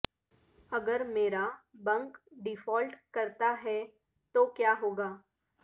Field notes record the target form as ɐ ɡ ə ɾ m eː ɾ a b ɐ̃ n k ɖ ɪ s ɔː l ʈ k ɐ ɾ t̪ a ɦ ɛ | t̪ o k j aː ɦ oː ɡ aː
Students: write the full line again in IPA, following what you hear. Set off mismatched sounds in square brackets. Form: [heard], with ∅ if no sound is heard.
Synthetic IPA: ɐ ɡ ə ɾ m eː ɾ a b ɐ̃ [ŋ] k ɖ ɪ [f] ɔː l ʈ k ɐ ɾ t̪ a ɦ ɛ | t̪ o k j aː ɦ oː ɡ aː